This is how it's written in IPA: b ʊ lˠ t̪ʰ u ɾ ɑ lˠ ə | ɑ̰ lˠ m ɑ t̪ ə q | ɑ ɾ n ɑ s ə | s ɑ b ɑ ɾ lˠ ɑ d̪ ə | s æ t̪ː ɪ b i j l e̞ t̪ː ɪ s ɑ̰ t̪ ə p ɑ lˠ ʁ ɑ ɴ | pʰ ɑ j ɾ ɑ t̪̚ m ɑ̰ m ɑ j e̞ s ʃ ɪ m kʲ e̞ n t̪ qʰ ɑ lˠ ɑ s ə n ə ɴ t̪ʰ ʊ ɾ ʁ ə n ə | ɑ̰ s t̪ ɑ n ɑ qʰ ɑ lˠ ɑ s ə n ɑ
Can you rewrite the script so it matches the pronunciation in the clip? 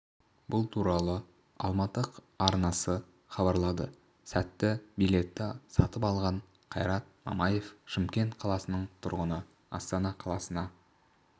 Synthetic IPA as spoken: b ʊ lˠ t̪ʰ u ɾ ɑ lˠ ə | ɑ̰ lˠ m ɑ t̪ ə q | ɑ ɾ n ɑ s ə | χ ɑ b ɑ ɾ lˠ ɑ d̪ ə | s æ t̪ː ɪ b i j l e̞ t̪ː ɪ s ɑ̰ t̪ ə p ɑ lˠ ʁ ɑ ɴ | qʰ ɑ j ɾ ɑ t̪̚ m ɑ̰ m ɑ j e̞ f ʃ ɪ m kʲ e̞ n t̪ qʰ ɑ lˠ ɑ s ə n ə ɴ t̪ʰ ʊ ɾ ʁ ə n ə | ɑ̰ s t̪ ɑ n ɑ qʰ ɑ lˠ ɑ s ə n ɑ